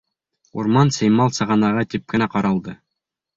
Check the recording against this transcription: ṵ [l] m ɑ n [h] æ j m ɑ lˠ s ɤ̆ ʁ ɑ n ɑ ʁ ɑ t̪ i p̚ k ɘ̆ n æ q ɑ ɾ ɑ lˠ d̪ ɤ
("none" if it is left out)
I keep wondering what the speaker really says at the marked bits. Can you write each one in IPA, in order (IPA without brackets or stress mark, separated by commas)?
ɾ, s